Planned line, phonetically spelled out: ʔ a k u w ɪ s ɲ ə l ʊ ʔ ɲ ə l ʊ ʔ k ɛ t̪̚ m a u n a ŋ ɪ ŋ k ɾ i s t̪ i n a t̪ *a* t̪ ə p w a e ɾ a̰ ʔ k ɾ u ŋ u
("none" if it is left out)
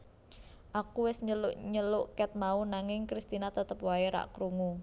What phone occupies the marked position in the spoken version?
ə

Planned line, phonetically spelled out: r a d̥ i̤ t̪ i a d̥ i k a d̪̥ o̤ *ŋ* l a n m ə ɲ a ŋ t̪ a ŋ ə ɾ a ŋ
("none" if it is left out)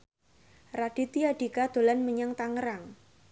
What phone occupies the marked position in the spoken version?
none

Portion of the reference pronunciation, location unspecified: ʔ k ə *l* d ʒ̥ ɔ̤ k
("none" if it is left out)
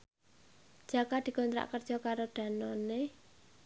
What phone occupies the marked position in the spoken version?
r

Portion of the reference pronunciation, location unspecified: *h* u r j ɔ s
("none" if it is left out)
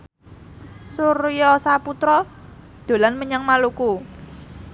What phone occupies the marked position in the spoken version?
s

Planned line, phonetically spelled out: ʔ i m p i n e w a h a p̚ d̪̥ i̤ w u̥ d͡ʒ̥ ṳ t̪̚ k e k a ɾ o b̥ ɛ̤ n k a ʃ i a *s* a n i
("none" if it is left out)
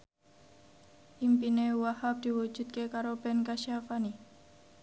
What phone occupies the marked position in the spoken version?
f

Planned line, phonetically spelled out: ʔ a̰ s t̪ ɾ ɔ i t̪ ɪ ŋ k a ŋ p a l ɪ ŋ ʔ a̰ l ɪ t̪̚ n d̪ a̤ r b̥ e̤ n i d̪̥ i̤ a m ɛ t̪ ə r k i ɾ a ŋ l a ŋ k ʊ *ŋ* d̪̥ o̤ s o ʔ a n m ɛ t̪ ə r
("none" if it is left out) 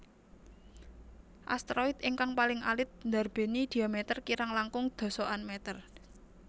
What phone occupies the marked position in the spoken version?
ŋ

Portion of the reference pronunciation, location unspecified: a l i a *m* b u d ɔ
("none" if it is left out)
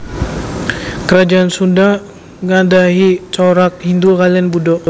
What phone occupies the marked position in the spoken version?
n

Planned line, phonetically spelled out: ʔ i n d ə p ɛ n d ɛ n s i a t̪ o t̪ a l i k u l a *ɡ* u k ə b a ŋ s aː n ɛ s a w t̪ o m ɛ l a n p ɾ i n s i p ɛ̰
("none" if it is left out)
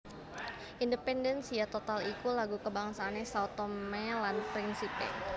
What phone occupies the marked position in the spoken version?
ɡ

